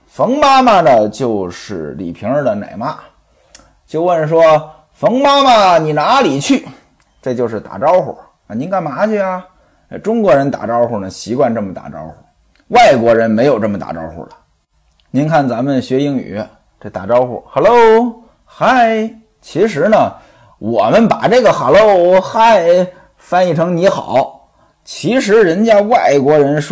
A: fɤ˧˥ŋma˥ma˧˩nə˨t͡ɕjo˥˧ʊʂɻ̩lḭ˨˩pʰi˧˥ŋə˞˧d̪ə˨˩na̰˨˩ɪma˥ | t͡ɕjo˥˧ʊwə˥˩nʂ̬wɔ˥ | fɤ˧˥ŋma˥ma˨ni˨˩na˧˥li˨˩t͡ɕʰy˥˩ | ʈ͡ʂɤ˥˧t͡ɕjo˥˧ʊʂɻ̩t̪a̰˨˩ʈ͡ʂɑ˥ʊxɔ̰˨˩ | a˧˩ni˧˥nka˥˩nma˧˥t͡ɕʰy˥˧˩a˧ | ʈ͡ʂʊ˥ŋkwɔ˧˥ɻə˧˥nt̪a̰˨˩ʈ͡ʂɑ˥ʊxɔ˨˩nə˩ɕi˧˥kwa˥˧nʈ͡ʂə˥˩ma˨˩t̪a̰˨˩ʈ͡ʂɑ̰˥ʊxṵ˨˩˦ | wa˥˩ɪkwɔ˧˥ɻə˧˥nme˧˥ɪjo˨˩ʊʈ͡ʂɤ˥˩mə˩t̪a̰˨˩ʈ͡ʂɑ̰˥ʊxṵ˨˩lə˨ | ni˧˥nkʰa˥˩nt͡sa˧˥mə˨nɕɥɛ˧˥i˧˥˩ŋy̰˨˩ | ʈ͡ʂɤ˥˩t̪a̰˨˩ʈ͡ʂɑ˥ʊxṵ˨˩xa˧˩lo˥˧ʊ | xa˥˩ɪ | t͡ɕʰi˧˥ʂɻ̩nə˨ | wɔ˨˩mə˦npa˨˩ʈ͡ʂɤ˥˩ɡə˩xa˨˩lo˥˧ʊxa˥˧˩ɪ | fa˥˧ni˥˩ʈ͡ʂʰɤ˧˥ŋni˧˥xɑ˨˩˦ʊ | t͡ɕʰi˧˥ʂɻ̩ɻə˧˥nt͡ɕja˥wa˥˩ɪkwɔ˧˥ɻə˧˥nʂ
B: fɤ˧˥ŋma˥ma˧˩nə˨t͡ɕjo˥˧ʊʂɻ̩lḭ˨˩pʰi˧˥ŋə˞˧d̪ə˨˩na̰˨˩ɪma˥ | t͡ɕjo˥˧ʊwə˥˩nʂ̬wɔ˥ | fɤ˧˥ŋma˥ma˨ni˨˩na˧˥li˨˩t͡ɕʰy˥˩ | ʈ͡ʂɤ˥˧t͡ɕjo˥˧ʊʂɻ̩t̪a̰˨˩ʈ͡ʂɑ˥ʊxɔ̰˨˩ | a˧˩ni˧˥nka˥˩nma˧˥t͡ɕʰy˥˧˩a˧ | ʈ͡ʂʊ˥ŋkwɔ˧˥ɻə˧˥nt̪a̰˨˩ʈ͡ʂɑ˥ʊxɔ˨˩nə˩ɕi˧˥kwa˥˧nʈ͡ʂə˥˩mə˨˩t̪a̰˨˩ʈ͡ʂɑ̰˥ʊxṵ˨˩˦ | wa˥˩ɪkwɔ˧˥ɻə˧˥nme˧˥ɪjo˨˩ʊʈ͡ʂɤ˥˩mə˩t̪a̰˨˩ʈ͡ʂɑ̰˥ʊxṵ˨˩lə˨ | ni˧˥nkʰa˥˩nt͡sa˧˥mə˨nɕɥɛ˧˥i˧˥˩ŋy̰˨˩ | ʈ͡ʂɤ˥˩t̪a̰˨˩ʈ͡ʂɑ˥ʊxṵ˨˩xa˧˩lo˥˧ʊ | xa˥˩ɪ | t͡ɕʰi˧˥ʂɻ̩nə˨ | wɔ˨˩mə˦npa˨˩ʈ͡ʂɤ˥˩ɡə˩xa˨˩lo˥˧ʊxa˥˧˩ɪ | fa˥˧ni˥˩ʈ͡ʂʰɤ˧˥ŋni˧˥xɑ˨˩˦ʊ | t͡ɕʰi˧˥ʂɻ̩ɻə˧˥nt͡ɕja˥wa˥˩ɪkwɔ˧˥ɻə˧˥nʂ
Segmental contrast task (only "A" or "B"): B